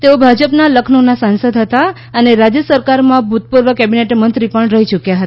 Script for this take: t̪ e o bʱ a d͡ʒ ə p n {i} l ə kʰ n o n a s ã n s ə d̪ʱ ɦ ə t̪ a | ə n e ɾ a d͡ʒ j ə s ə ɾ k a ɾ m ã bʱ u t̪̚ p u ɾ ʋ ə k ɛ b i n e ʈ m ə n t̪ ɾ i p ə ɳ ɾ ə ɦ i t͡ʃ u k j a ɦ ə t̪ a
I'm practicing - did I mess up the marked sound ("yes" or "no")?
yes